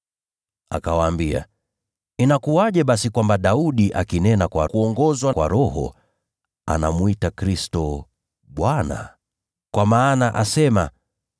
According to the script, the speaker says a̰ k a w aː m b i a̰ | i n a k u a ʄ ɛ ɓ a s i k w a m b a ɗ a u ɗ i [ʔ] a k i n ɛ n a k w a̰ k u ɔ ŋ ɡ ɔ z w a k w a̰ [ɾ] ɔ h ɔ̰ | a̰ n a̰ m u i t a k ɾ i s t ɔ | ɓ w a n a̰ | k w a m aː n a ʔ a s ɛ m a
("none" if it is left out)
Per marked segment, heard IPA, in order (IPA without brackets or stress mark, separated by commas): ʔ, ɾ